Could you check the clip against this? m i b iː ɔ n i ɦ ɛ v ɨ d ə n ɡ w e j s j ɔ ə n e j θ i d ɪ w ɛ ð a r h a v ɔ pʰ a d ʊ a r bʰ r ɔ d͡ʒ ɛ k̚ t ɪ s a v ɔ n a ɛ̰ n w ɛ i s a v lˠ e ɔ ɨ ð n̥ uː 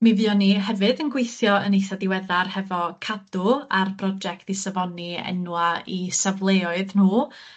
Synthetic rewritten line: m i v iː ɔ n i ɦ ɛ v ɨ d ə n ɡ w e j θ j ɔ ə n e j θ a d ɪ w ɛ ð a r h ɛ v ɔ kʰ a d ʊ a r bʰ r ɔ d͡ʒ ɛ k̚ t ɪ s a v ɔ n i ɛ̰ n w a i s a v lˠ e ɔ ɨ ð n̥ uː